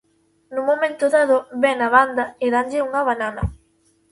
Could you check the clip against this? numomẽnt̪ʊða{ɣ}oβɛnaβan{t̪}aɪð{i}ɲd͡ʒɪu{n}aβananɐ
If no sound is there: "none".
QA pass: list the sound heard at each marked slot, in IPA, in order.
ð, d̪, a, ŋ

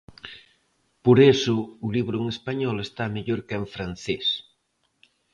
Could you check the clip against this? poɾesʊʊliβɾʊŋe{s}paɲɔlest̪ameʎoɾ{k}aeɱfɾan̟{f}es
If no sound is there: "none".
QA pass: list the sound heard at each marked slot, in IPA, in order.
s, k, θ

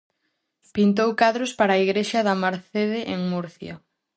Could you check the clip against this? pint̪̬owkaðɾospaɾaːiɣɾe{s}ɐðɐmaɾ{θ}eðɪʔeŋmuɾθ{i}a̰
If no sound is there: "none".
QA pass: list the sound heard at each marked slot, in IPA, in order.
ʃ, θ, j

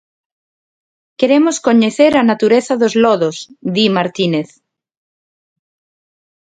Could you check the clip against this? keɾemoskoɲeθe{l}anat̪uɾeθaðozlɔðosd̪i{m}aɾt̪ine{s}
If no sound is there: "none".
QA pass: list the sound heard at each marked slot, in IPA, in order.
ɾ, m, θ

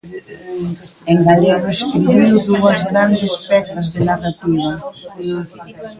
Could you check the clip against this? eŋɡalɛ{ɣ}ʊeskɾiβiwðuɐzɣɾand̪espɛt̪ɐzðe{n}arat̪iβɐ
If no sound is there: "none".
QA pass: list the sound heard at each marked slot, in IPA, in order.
ɣ, n

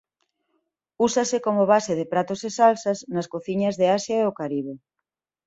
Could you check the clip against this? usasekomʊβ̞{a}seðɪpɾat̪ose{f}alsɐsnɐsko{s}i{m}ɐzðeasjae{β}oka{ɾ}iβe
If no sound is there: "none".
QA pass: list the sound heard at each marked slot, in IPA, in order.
a, s, θ, ɲ, none, ɾ

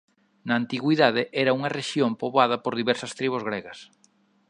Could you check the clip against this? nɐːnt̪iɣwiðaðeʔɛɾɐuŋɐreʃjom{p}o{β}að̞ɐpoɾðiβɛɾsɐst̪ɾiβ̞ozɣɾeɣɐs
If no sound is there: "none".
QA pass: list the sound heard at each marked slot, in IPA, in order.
p, β

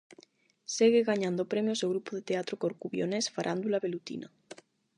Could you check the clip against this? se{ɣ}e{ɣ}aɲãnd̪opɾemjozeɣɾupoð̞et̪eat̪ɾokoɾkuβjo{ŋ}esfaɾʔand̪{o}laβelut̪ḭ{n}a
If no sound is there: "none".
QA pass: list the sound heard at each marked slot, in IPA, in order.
ɣ, ɣ, n, u, n

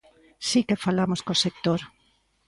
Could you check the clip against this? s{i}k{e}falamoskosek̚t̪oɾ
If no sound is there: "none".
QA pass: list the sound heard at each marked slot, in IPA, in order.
i, e

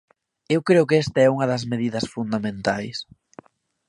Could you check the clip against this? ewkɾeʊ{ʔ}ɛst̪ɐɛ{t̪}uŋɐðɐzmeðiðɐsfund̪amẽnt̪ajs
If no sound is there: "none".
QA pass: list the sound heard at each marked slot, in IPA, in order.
k, none

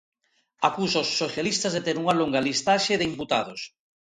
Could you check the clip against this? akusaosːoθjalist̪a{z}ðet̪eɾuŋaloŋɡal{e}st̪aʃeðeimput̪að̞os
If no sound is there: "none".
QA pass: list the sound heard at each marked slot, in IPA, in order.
z, i

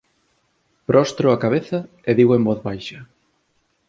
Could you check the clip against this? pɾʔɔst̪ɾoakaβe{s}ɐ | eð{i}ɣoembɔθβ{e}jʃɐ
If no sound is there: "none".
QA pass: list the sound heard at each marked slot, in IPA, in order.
θ, i, a

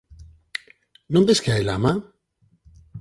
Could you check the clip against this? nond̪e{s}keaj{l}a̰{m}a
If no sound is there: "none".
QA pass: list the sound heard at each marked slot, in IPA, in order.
s, l, m

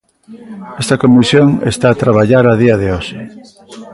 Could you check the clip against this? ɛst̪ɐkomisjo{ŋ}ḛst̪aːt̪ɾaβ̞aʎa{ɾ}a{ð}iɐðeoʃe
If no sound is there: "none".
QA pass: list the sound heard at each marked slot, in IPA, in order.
ŋ, ɾ, ð

